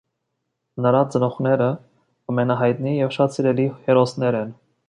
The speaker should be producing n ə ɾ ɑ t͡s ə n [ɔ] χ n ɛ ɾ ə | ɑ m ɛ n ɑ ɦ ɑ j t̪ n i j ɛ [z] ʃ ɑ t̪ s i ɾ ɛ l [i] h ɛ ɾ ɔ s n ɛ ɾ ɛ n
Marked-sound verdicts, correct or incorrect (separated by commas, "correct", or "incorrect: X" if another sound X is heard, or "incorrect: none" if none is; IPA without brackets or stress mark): correct, incorrect: v, correct